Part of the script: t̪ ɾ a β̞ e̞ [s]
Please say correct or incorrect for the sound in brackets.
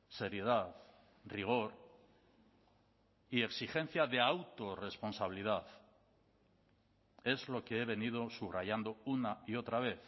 incorrect